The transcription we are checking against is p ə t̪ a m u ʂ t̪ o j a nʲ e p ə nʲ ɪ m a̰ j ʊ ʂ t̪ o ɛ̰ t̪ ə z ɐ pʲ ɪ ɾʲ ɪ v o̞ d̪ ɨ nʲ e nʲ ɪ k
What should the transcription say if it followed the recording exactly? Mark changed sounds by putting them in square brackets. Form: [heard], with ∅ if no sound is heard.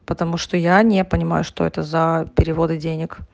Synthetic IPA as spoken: p ə t̪ [ɐ] m u ʂ t̪ o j a nʲ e p ə nʲ ɪ m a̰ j ʊ ʂ t̪ o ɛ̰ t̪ ə z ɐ pʲ ɪ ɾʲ ɪ v o̞ d̪ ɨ [dʲ] e nʲ ɪ k